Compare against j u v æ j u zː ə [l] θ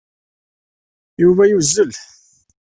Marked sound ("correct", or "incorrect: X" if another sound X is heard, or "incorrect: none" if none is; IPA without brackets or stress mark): correct